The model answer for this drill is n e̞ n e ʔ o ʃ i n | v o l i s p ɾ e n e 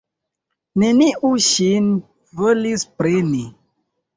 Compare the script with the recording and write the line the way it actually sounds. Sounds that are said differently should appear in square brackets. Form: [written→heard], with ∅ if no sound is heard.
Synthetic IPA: n e̞ n [e→i] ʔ [o→u] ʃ i n | v o l i s p ɾ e n [e→i]